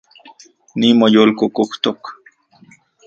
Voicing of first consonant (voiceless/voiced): voiced